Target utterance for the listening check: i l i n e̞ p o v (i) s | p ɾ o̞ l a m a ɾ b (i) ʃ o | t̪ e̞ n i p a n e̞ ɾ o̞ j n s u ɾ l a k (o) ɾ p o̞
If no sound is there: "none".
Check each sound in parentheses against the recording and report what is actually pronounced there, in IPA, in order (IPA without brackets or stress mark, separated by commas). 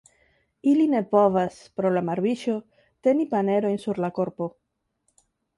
a, i, o